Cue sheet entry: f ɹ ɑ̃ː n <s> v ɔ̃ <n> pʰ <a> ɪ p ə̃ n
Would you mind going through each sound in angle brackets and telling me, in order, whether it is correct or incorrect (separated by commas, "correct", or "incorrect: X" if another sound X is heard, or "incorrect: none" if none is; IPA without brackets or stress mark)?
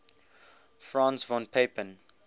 correct, correct, incorrect: e